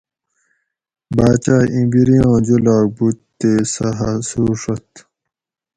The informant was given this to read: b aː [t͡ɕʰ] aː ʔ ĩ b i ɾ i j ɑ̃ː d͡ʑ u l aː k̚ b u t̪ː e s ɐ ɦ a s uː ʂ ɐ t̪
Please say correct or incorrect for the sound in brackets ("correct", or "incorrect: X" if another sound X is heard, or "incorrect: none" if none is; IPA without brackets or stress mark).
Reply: incorrect: t͡ɕ